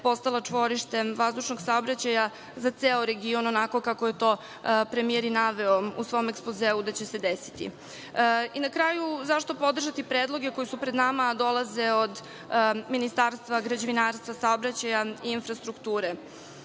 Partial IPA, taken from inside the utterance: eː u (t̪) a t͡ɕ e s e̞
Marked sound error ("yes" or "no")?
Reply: yes